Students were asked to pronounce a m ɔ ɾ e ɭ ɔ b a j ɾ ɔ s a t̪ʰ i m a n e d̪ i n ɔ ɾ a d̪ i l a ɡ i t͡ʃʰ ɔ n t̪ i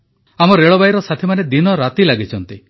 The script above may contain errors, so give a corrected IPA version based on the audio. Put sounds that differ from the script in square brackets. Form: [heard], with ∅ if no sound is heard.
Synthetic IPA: a m ɔ ɾ e ɭ ɔ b a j ɾ ɔ s a t̪ʰ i m a n e d̪ i n ɔ ɾ a [t̪] i l a ɡ i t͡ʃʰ ɔ n t̪ i